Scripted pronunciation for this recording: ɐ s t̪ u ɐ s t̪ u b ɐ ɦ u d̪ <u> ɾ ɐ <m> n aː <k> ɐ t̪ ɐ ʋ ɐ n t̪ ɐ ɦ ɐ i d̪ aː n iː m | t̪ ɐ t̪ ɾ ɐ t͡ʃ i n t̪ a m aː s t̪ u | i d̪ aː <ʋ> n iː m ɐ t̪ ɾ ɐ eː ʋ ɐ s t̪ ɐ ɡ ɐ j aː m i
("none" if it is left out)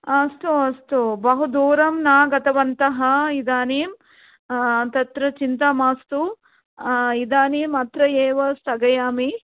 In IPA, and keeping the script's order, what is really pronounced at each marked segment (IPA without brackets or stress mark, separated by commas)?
uː, m, ɡ, none